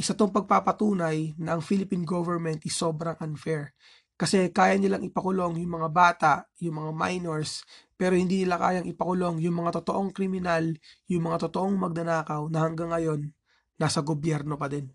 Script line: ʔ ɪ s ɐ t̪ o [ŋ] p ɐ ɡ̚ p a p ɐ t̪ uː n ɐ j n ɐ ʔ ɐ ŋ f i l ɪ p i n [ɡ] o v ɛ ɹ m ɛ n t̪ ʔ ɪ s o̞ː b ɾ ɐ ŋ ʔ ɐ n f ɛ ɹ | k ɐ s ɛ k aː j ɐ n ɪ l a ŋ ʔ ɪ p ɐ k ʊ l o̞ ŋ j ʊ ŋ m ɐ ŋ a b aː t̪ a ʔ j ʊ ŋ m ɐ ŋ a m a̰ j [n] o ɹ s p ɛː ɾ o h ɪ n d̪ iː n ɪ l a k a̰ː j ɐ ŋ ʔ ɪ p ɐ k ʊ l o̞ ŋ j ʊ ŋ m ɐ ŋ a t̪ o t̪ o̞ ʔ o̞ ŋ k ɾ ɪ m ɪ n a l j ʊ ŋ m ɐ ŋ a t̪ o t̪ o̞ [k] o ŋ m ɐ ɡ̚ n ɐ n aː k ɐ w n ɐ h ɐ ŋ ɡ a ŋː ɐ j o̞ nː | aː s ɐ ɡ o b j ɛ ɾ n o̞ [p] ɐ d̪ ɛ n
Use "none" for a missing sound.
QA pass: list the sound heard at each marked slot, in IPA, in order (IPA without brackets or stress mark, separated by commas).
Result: ŋ, ɡ, n, ʔ, p